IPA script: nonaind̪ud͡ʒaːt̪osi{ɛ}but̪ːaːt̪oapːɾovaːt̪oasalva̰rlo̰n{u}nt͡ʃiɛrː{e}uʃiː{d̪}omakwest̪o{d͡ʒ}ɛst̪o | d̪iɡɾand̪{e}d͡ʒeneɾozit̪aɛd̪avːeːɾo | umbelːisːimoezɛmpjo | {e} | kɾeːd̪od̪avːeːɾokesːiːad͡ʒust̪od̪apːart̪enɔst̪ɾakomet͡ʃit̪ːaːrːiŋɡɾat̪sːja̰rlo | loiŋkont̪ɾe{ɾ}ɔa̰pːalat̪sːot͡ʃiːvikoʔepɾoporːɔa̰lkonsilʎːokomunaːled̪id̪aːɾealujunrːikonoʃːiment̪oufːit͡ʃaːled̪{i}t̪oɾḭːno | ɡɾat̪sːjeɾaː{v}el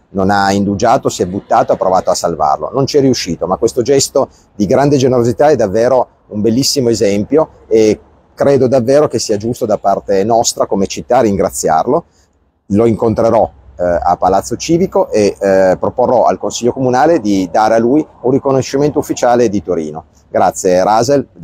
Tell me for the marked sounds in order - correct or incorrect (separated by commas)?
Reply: correct, incorrect, incorrect, incorrect, correct, correct, correct, correct, correct, incorrect